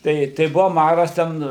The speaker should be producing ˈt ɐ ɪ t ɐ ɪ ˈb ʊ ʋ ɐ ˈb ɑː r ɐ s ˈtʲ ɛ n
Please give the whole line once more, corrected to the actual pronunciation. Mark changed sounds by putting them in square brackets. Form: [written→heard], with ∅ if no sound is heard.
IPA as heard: ˈt ɐ ɪ t ɐ ɪ ˈb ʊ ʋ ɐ [ˈb→ˈm] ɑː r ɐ s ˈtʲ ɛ n